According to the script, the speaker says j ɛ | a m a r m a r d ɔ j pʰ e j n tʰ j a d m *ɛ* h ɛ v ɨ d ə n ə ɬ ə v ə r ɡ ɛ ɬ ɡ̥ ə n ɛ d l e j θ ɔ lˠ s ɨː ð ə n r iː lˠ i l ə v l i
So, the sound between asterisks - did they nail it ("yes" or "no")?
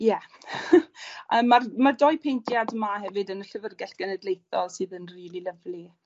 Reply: no